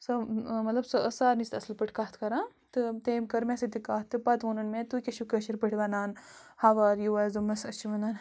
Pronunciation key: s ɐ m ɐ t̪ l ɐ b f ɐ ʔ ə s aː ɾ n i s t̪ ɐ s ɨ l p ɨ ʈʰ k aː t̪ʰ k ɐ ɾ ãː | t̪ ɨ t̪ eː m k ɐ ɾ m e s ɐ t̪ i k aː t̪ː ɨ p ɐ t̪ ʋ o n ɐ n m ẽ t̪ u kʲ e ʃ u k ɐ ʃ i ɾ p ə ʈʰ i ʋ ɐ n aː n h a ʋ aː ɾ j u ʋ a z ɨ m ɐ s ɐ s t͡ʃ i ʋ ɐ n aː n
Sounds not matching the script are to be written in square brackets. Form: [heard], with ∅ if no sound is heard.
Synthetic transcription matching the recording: s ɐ m ɐ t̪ l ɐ b [s] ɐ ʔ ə s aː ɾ n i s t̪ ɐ s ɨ l p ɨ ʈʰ k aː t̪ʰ k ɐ ɾ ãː | t̪ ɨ t̪ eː m k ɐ ɾ m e s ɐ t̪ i k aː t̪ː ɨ p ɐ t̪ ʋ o n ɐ n m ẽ t̪ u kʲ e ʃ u k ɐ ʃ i ɾ p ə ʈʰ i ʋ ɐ n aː n h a ʋ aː ɾ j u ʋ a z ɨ m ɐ s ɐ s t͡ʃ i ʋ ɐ n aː n